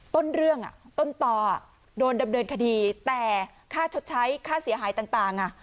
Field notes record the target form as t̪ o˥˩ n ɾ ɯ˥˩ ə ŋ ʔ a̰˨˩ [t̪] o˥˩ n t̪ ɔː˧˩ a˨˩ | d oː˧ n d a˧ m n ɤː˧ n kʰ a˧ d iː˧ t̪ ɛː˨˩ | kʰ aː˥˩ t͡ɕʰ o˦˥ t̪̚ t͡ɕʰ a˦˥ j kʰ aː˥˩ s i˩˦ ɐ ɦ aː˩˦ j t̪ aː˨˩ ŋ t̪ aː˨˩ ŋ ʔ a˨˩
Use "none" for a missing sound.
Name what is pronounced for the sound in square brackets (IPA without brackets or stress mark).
t̪